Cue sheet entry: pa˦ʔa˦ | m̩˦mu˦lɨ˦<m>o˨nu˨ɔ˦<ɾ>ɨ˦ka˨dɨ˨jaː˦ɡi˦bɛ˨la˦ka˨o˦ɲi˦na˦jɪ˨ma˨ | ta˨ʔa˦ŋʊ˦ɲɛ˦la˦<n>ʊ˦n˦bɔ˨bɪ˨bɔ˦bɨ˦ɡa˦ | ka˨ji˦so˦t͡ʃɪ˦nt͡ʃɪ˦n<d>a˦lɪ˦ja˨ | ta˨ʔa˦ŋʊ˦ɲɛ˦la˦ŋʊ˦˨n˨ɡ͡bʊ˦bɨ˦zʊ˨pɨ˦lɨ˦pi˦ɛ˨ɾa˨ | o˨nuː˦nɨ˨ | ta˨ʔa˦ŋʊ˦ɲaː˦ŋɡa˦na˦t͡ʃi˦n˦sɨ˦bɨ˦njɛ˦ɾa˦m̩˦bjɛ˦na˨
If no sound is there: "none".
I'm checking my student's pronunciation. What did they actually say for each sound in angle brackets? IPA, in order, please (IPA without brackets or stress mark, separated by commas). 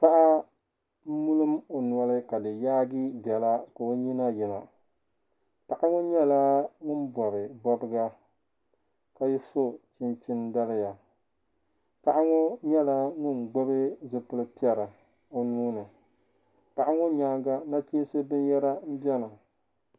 m, l, ŋ, d